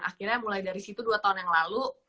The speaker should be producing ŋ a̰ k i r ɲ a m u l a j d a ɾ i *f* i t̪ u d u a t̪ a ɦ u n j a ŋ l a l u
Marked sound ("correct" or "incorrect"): incorrect